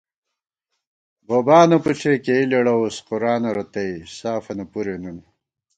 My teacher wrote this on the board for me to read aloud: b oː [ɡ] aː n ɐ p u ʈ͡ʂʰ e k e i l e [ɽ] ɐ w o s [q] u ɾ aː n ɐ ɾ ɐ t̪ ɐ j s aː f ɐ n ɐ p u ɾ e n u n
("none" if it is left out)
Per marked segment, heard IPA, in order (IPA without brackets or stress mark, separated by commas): b, ɽ, q